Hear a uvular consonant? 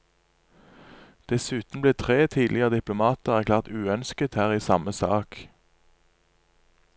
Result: yes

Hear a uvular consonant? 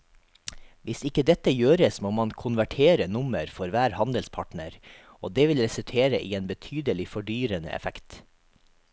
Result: no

